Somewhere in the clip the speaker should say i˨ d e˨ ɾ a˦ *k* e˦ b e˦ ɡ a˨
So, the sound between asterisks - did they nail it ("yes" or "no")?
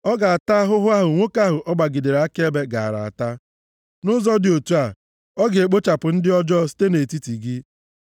yes